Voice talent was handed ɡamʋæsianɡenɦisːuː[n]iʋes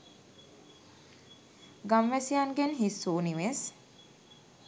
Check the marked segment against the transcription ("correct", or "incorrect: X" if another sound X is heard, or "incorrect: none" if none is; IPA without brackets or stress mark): correct